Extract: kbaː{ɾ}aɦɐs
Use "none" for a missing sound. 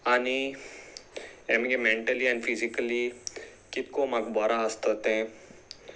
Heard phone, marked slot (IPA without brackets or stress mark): ɾ